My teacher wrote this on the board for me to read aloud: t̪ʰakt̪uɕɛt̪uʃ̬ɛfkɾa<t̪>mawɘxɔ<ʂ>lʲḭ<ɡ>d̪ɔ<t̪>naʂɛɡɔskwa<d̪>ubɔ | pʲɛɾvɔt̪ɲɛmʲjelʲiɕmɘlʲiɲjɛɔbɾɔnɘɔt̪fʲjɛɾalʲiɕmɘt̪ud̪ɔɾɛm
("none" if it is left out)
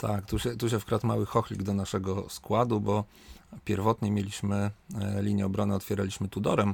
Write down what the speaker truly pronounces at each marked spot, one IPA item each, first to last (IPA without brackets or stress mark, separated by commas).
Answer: t̪, x, ɡ, none, d̪